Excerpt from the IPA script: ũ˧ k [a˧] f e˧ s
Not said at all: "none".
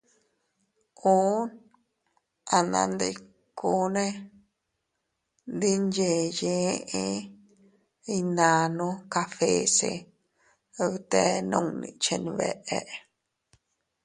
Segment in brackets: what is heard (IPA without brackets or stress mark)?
a˧